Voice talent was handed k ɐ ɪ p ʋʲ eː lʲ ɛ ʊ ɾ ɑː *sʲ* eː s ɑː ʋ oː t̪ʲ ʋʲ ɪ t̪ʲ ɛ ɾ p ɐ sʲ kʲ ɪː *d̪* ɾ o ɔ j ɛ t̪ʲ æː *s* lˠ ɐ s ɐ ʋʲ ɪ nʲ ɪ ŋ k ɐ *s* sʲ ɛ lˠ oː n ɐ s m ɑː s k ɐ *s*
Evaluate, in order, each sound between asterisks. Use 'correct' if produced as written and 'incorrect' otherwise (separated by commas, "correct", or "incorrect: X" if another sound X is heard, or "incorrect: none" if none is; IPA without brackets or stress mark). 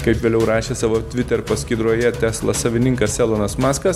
incorrect: ʃʲ, correct, correct, correct, correct